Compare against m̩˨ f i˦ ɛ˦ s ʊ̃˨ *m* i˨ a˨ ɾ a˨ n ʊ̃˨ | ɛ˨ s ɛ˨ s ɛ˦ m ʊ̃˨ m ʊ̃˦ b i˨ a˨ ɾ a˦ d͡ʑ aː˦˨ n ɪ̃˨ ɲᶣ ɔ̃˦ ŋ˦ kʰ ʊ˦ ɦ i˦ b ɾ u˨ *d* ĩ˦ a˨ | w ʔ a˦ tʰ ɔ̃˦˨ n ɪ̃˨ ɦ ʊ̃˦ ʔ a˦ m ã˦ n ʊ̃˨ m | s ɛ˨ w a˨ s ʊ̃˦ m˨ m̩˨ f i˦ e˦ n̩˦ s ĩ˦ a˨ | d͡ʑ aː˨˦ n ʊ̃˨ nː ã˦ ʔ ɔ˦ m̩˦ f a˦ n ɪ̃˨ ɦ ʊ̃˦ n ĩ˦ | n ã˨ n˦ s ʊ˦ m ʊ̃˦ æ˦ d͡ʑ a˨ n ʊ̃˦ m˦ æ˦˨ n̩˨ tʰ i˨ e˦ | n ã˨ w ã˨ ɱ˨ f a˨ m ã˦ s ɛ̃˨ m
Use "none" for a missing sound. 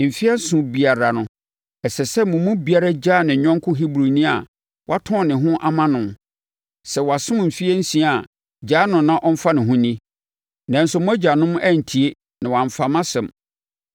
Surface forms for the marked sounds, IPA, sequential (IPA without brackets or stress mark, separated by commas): b, n